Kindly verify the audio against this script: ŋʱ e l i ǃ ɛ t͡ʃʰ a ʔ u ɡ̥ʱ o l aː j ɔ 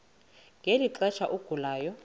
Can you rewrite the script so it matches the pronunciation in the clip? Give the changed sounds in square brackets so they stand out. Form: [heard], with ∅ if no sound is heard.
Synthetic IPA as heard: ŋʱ e l i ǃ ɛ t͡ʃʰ a ʔ u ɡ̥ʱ [u] l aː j ɔ